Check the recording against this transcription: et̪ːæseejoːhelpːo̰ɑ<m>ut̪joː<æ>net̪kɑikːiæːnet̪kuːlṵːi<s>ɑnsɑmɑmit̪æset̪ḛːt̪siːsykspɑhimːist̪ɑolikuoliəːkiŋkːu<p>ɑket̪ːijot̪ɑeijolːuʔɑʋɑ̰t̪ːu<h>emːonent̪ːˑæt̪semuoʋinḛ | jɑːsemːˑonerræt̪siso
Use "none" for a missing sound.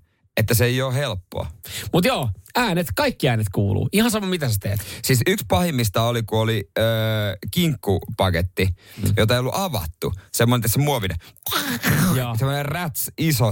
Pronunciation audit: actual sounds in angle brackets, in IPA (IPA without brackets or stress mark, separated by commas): m, æː, h, p, s